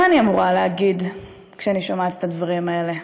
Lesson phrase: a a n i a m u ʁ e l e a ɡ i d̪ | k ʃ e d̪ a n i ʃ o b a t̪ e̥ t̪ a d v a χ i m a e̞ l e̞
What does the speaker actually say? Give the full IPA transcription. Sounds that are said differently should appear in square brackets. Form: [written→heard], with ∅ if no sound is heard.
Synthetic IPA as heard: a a n i a m u ʁ [e→a] l e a ɡ i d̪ | k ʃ e [d̪→∅] a n i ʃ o [b→m] a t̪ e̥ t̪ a d v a [χ→ʁ] i m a e̞ l e̞